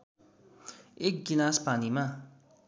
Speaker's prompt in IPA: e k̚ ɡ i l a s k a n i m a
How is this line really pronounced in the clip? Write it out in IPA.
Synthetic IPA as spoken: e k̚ ɡ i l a s p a n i m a